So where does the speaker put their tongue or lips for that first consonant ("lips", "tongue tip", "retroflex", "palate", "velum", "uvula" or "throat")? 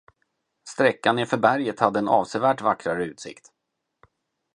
tongue tip